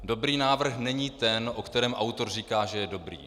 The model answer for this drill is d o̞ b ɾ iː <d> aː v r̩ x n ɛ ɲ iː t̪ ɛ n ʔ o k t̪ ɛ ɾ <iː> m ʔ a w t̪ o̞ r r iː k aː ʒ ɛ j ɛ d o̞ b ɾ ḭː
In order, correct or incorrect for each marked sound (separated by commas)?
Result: incorrect, incorrect